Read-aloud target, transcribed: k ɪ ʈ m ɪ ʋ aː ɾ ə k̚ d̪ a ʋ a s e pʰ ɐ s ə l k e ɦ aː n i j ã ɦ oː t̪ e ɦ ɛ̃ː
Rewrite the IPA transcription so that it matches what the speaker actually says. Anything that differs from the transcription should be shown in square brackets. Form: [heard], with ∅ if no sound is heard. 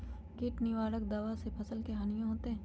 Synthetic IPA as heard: k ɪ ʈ [n] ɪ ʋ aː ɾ ə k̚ d̪ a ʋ a s e pʰ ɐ s ə l k e ɦ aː n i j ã ɦ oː t̪ e ɦ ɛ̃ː